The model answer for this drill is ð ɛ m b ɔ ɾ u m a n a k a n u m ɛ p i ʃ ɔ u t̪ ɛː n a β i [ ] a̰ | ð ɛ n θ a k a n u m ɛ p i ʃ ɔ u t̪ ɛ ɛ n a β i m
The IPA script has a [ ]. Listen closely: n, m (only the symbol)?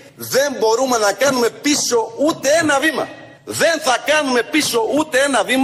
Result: m